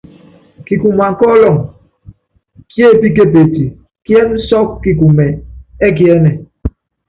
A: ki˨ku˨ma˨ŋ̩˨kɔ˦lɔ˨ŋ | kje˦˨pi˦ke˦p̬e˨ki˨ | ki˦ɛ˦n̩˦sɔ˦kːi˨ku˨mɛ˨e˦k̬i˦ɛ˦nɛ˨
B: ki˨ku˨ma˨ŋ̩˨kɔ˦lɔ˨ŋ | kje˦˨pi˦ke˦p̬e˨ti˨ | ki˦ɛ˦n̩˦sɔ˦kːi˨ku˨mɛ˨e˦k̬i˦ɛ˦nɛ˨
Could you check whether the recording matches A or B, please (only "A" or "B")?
B